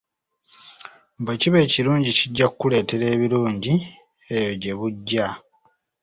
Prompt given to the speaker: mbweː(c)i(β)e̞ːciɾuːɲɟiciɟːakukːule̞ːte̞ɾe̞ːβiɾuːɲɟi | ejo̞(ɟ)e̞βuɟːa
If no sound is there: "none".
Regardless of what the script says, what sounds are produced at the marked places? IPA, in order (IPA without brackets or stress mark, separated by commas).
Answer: c, β, ɟ